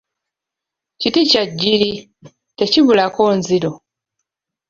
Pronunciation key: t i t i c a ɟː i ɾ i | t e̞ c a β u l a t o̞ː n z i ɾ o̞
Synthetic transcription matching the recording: c i t i c a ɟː i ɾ i | t e̞ c i β u l a k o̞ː n z i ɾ o̞